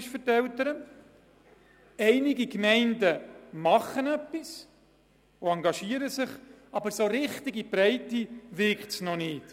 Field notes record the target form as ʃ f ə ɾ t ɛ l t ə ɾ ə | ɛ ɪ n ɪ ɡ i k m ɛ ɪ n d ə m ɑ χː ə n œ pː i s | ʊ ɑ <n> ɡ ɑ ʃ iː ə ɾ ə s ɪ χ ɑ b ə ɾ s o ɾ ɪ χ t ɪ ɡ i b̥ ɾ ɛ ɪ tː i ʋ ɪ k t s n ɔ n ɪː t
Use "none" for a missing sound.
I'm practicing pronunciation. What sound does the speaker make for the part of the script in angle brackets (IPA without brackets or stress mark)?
ŋ